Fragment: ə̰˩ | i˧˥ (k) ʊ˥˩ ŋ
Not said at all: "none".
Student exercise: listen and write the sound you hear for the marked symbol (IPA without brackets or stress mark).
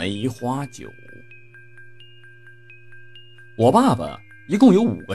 k